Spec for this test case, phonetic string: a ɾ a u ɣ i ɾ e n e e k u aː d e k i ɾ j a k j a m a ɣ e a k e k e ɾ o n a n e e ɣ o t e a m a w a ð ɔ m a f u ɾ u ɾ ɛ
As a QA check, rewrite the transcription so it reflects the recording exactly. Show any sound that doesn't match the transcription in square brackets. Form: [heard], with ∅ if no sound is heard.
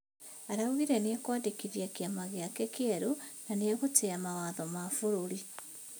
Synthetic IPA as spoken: a ɾ a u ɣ i ɾ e n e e k [w] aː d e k i ɾ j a k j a m a ɣ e a k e k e ɾ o n a n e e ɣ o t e a m a w a ð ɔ m a f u ɾ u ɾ [i]